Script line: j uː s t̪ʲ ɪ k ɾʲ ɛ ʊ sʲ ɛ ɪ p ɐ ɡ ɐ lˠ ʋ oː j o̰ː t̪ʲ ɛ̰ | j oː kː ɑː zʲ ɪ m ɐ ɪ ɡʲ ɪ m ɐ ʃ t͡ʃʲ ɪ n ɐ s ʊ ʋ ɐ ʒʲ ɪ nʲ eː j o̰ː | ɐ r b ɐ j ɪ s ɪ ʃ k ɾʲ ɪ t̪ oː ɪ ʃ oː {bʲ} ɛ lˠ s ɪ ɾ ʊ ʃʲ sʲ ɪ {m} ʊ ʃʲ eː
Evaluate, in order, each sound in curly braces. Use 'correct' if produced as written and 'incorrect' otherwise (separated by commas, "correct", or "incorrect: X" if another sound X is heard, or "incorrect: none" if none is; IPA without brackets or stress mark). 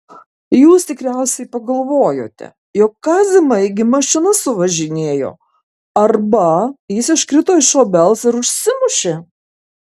correct, correct